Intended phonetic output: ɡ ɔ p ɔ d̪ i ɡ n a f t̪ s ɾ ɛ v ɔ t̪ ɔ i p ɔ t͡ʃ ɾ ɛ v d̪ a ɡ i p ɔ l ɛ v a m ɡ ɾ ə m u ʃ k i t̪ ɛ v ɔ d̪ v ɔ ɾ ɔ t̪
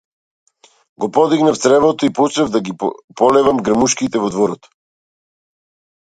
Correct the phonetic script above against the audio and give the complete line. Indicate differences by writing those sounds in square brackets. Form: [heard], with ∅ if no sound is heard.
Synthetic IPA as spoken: ɡ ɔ p ɔ d̪ i ɡ n a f t̪ s ɾ ɛ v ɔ t̪ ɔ i p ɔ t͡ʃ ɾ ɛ v d̪ a ɡ i p ɔ l ɛ v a m ɡ ɾ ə m u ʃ k i t̪ ɛ v ɔ d̪ v ɔ ɾ ɔ t̪